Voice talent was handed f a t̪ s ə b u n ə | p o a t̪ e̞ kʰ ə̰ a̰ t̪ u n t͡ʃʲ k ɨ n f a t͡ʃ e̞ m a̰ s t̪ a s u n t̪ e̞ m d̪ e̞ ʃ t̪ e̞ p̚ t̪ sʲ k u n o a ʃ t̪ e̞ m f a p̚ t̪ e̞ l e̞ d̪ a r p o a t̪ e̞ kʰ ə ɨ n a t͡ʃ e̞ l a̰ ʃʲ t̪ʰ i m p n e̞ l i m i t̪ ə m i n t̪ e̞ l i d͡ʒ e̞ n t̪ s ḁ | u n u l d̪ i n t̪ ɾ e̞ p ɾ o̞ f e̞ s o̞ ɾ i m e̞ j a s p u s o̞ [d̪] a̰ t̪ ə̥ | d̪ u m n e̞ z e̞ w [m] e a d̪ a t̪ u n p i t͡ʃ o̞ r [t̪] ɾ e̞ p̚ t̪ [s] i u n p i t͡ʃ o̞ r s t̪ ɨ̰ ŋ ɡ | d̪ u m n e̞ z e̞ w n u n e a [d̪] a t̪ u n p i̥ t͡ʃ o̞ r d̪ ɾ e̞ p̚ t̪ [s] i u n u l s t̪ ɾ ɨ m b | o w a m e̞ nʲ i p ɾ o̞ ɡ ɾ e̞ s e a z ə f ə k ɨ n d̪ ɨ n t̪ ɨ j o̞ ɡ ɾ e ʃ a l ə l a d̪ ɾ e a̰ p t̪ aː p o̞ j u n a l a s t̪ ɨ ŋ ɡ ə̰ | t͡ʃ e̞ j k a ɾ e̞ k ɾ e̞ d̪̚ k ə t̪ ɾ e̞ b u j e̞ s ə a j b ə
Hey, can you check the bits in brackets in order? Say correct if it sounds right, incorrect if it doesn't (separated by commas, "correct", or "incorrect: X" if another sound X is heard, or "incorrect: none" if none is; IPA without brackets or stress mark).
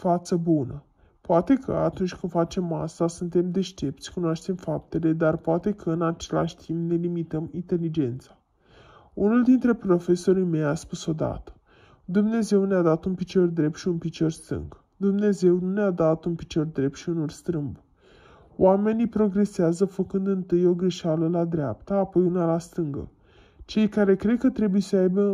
correct, incorrect: n, incorrect: d̪, incorrect: ʃ, correct, incorrect: ʃ